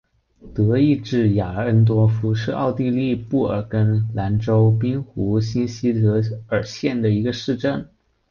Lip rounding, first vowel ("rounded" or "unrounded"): unrounded